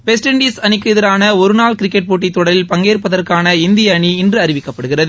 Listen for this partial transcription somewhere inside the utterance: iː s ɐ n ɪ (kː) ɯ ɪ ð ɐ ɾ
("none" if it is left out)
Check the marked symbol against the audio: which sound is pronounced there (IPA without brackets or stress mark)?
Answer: kː